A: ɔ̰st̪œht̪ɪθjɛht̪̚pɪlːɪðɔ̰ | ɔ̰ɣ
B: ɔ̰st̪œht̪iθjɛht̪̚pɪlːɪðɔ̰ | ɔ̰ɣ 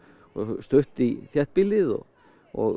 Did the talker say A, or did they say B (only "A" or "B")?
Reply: B